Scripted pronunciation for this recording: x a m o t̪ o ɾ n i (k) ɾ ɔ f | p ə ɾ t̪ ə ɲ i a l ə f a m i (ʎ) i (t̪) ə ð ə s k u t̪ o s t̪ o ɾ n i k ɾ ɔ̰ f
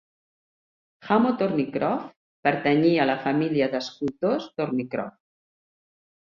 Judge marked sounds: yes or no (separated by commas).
yes, no, no